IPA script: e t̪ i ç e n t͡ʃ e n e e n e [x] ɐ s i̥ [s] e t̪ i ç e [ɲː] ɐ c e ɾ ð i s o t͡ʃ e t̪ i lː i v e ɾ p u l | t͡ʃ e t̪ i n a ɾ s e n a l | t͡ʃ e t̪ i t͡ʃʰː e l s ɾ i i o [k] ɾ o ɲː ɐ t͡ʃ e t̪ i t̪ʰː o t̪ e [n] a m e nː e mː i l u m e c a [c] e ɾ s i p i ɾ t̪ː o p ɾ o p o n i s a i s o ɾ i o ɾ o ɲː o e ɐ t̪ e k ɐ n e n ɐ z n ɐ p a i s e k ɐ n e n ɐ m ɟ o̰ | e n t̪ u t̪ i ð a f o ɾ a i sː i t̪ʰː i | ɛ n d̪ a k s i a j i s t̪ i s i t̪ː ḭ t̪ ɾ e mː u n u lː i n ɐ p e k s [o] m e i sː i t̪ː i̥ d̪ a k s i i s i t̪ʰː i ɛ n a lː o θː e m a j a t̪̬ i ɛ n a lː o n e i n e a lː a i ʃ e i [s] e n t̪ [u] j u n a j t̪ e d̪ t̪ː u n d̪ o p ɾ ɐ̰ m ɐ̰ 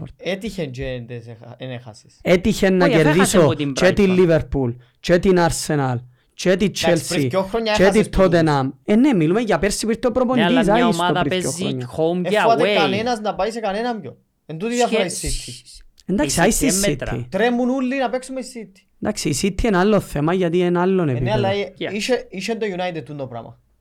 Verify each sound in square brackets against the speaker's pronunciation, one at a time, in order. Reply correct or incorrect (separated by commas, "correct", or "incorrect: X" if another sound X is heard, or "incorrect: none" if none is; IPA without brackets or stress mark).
correct, correct, incorrect: nː, incorrect: x, correct, incorrect: p, incorrect: u, incorrect: ʃ, incorrect: o